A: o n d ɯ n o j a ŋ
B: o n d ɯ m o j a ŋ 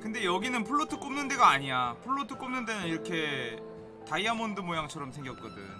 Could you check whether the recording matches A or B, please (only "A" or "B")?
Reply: B